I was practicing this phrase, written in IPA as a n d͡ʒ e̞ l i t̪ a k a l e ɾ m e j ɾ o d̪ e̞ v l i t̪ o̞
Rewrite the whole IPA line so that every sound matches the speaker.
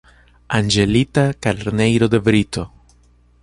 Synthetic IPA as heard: a n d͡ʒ e̞ l i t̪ a k a l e ɾ n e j ɾ o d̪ e̞ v ɾ i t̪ o̞